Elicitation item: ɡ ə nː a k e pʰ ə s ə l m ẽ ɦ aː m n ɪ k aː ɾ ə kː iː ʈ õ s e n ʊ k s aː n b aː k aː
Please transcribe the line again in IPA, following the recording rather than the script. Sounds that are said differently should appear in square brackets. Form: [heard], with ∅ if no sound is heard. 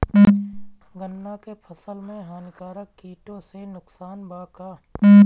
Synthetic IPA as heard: ɡ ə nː a k e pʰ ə s ə l m ẽ ɦ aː [∅] n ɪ k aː ɾ ə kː iː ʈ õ s e n ʊ k s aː n b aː k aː